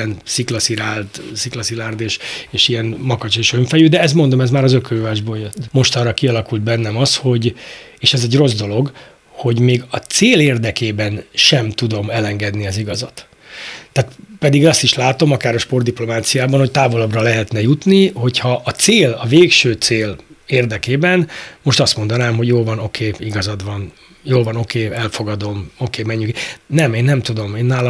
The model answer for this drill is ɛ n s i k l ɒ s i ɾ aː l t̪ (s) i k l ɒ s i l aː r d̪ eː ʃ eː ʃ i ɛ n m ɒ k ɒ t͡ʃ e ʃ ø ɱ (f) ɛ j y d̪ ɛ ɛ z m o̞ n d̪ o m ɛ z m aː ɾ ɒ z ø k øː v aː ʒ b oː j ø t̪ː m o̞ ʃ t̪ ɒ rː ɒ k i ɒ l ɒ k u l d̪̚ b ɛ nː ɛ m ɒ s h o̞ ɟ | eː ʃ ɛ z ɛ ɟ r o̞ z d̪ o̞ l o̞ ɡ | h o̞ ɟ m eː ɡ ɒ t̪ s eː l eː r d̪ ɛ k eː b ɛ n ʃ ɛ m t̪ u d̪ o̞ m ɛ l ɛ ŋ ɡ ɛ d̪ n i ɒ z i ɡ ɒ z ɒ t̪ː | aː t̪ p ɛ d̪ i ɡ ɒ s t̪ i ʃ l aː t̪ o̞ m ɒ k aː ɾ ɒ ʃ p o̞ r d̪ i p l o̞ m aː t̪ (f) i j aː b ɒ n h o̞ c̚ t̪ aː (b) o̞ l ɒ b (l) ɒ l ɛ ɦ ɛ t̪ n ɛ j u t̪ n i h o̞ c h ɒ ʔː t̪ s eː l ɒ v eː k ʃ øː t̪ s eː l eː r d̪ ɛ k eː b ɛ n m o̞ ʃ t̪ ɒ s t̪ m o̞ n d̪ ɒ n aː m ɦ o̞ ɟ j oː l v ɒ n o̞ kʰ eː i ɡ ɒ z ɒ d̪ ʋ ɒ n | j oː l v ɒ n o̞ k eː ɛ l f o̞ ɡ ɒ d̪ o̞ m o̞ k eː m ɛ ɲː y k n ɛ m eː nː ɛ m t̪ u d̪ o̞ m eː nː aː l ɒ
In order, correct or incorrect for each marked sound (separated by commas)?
correct, correct, incorrect, incorrect, incorrect